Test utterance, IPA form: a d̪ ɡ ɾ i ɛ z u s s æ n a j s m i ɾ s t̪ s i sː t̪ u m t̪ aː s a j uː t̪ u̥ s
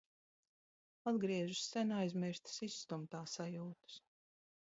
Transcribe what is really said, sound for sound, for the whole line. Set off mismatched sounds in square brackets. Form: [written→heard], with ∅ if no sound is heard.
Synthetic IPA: a d̪ ɡ ɾ i ɛ [z→ʒ] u s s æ n a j [s→z] m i ɾ s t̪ s i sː t̪ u m t̪ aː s a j uː t̪ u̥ s